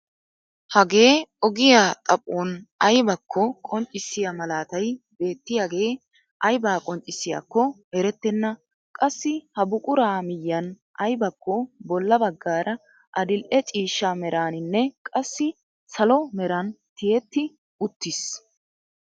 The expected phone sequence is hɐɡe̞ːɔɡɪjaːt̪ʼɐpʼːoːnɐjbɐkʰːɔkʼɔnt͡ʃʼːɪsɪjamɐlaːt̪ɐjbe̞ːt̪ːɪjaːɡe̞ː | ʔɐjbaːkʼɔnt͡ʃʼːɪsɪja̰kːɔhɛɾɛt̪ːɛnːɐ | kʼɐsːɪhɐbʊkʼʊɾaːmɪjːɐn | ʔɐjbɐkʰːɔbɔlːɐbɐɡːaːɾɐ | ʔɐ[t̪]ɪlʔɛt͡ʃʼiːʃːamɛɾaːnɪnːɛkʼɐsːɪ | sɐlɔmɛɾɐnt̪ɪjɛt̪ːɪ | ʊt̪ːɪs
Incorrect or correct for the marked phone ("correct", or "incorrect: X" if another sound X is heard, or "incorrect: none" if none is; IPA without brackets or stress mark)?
incorrect: d̪